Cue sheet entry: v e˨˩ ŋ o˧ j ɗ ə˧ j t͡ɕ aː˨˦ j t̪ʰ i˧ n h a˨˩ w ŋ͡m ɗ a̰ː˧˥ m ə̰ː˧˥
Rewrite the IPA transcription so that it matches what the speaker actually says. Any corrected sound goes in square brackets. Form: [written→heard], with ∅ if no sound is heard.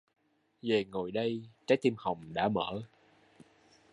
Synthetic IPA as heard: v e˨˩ ŋ [o˧→o˨˩] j ɗ ə˧ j t͡ɕ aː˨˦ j [t̪ʰ→t̪] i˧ [n→m] h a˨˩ w ŋ͡m ɗ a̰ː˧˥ m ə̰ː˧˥